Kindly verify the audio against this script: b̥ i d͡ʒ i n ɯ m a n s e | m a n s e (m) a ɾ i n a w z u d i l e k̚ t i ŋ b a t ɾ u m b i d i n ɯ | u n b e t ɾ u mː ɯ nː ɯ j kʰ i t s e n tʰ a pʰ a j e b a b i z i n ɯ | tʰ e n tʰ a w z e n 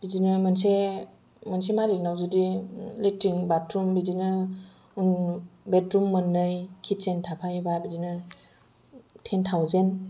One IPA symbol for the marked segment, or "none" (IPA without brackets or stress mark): m